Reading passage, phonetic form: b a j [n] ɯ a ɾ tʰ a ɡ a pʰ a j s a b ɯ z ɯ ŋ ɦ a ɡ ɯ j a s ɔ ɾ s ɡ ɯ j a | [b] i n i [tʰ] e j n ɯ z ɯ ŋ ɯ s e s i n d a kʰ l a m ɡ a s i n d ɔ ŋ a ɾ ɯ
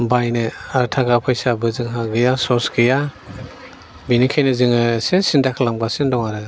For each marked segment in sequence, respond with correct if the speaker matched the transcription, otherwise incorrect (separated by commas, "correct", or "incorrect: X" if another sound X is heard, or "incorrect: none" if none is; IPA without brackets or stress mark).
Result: correct, correct, incorrect: kʰ